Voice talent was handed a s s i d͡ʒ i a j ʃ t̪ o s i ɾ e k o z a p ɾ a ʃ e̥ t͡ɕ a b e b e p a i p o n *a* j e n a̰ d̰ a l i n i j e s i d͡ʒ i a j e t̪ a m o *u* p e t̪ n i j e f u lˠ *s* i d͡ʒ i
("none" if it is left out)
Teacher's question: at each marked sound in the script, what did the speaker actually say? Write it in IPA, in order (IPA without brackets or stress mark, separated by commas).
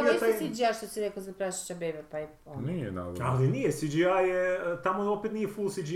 i, o, s